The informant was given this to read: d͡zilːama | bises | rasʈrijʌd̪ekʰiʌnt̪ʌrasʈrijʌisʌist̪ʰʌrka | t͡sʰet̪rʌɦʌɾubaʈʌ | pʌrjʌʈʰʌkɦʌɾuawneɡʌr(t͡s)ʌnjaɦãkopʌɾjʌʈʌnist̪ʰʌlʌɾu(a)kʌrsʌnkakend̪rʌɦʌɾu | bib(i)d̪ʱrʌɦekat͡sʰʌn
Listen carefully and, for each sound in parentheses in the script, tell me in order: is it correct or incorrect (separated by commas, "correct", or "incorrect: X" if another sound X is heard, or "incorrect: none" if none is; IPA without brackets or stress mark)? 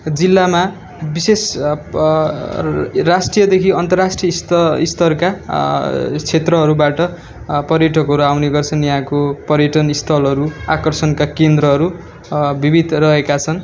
incorrect: t͡sʰ, correct, correct